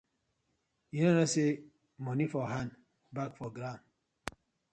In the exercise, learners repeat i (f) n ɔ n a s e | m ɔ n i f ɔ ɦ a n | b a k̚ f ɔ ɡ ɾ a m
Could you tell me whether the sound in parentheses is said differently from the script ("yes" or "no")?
yes